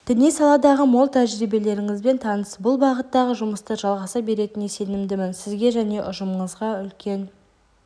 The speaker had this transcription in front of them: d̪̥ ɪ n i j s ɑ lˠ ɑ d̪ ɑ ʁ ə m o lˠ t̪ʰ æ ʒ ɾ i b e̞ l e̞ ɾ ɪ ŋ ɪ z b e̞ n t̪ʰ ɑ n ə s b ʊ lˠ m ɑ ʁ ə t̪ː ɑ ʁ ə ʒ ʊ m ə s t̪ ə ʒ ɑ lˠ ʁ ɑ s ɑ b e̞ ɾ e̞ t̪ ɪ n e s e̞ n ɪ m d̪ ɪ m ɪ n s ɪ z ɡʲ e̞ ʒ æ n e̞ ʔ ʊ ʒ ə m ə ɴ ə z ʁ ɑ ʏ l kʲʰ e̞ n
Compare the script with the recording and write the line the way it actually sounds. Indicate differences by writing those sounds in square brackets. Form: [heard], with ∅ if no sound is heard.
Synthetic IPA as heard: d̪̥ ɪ n i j s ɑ lˠ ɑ d̪ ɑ ʁ ə m o lˠ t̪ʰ æ ʒ ɾ i b e̞ l e̞ ɾ ɪ ŋ ɪ z b e̞ n t̪ʰ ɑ n ə s b ʊ lˠ [b] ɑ ʁ ə t̪ː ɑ ʁ ə ʒ ʊ m ə s t̪ ə ʒ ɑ lˠ ʁ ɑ s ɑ b e̞ ɾ e̞ t̪ ɪ n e s e̞ n ɪ m d̪ ɪ m ɪ n s ɪ z ɡʲ e̞ ʒ æ n e̞ ʔ ʊ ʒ ə m ə ɴ ə z ʁ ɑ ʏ l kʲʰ e̞ n